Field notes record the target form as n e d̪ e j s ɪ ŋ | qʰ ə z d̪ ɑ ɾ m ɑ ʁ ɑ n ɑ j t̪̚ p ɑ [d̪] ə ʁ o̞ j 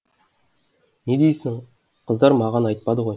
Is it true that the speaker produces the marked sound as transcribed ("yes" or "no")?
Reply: yes